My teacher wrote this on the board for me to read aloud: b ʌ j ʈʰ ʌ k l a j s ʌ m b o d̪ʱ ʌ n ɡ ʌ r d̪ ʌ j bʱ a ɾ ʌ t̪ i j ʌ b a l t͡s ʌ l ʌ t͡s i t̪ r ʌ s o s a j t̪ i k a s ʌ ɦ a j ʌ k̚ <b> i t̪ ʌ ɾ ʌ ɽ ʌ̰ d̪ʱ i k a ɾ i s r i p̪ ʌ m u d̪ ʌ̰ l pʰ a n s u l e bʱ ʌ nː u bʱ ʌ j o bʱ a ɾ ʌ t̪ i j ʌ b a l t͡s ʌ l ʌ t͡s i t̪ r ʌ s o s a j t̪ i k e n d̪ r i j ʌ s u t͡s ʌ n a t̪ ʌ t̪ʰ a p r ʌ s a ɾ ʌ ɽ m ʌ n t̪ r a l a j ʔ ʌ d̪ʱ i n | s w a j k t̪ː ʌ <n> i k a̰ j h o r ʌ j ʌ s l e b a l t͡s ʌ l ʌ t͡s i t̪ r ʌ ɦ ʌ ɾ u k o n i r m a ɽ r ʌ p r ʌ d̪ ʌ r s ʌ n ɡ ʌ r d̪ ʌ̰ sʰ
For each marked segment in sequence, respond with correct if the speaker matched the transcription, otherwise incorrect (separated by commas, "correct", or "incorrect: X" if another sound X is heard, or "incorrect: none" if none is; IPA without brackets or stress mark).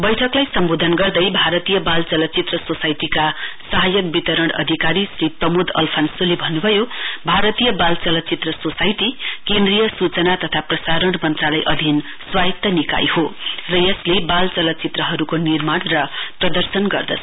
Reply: correct, correct